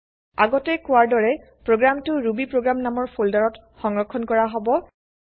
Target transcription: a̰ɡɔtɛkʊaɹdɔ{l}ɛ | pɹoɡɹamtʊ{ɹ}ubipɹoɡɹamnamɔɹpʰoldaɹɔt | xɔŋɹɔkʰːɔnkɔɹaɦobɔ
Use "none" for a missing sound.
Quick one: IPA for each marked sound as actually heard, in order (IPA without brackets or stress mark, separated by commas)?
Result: ɹ, ɹ